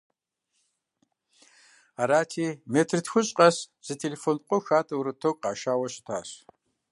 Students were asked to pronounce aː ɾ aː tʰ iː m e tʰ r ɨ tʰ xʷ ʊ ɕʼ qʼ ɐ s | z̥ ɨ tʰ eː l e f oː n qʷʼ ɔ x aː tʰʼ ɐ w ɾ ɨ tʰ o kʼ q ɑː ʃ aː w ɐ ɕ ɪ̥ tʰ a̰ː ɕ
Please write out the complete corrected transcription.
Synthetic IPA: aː ɾ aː tʰ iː m e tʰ r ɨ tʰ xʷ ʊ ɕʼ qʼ ɐ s | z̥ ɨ tʰ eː l e f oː n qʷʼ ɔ x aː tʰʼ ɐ w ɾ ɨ tʰ o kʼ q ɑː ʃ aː w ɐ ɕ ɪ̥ tʰ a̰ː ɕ